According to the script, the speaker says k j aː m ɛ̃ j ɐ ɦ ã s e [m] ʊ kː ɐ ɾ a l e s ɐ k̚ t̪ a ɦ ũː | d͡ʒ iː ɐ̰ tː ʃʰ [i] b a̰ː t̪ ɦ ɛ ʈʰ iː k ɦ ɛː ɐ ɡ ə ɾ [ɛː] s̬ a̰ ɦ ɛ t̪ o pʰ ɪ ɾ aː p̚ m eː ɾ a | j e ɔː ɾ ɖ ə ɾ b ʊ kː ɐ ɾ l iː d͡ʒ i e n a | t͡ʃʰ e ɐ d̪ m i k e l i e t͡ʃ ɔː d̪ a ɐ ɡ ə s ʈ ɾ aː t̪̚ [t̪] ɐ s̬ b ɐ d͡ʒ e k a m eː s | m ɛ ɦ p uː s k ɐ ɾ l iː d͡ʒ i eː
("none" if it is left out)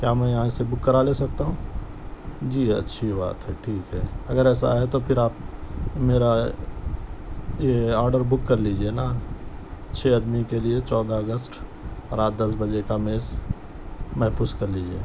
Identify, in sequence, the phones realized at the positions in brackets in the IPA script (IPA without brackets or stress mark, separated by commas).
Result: b, i, ɛː, d̪